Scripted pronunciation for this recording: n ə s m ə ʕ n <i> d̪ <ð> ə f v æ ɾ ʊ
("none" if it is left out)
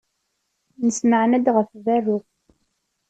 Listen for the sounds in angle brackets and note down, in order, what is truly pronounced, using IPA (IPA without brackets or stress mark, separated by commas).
æ, ʁ